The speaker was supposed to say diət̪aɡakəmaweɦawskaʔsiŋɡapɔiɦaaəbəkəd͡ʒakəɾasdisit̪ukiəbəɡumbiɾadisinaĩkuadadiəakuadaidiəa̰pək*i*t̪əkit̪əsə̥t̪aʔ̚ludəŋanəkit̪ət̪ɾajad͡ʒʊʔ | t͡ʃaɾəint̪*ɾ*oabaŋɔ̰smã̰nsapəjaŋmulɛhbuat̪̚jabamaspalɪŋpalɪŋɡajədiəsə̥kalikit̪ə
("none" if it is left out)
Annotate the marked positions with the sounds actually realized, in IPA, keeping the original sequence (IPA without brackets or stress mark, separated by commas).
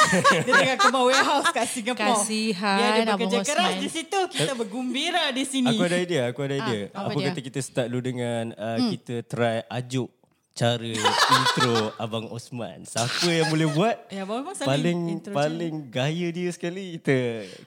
a, ɾ